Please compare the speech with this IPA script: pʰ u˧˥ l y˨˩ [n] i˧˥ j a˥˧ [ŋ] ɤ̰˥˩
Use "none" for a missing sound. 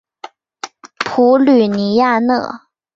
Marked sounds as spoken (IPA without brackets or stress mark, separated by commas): n, n